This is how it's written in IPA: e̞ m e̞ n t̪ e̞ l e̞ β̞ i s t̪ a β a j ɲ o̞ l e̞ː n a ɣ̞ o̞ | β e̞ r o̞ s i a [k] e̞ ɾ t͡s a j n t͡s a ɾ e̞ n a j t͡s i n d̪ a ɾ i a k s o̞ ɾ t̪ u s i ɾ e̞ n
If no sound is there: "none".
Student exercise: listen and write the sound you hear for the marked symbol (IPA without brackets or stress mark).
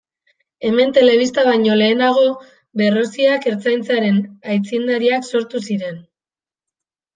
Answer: k